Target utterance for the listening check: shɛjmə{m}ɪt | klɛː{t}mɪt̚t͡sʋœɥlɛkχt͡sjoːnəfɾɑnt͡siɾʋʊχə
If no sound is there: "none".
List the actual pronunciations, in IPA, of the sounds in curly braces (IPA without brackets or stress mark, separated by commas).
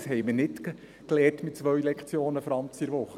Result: n, t